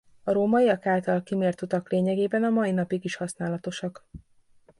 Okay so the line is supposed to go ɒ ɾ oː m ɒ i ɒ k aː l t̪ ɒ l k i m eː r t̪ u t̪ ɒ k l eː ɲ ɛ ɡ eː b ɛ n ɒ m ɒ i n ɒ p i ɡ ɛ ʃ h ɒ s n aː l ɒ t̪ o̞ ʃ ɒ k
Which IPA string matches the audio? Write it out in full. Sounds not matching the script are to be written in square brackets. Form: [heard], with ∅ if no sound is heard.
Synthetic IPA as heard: ɒ ɾ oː m ɒ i ɒ k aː l t̪ ɒ l k i m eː r t̪ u t̪ ɒ k l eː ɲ ɛ ɡ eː b ɛ n ɒ m ɒ i n ɒ p i ɡ [i] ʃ h ɒ s n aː l ɒ t̪ o̞ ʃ ɒ k